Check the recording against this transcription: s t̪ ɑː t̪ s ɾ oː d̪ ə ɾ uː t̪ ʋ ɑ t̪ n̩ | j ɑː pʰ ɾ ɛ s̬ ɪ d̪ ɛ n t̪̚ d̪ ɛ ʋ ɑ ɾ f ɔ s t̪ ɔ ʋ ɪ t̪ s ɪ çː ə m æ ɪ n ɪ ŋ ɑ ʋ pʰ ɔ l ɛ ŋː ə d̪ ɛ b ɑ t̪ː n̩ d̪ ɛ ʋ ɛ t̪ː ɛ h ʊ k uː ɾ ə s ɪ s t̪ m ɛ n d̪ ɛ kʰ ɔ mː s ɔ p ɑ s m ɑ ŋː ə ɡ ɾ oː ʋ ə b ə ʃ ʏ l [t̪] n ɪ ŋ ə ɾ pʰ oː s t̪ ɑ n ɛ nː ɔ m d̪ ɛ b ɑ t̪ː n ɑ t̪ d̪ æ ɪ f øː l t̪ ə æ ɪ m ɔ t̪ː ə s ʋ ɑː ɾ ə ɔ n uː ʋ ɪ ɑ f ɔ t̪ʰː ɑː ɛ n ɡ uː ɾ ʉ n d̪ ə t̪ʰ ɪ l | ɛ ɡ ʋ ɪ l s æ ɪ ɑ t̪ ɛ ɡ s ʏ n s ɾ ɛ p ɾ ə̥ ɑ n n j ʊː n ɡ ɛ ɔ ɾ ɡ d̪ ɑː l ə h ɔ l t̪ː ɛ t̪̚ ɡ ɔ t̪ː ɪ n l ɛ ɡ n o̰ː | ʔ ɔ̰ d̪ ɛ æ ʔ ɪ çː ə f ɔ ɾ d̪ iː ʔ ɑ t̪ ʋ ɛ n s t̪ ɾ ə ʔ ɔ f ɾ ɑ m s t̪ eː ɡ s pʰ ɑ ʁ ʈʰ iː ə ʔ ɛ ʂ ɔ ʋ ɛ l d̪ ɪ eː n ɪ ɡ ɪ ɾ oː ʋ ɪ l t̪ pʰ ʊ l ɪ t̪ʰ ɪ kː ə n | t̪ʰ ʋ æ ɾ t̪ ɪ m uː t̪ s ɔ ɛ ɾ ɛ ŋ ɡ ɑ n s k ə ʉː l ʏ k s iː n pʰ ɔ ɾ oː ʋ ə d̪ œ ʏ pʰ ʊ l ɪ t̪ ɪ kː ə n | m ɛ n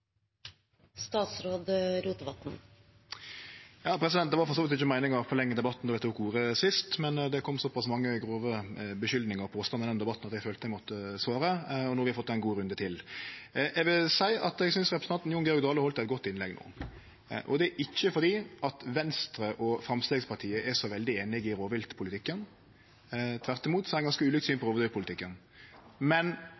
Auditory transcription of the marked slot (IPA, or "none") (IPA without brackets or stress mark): d̪